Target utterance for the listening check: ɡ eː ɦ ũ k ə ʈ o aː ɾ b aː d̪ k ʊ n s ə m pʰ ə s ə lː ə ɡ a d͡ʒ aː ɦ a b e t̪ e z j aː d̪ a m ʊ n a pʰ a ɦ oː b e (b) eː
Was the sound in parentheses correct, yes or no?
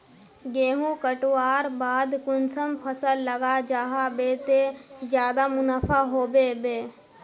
yes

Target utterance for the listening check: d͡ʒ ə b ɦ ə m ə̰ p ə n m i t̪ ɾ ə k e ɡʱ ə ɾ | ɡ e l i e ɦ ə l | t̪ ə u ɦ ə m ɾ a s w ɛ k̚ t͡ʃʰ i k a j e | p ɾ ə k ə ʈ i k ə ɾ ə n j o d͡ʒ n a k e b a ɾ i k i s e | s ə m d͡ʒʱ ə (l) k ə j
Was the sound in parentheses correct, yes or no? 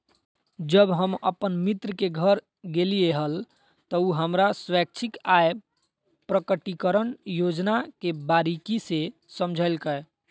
yes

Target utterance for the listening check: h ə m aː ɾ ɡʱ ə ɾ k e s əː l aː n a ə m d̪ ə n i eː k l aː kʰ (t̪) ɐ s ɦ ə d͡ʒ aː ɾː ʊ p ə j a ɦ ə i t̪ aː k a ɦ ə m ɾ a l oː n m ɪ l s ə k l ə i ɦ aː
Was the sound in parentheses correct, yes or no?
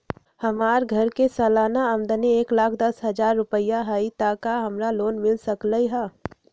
no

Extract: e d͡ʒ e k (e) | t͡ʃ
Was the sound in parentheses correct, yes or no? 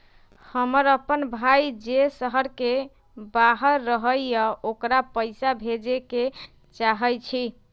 yes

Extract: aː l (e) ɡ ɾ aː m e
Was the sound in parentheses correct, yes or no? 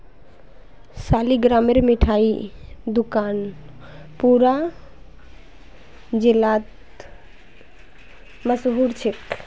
no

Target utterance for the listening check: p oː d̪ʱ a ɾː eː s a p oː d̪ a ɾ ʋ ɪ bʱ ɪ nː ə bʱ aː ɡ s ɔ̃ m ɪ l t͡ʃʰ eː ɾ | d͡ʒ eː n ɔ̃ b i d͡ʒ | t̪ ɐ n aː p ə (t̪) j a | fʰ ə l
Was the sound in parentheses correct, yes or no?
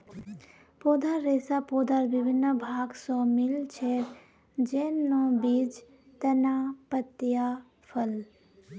yes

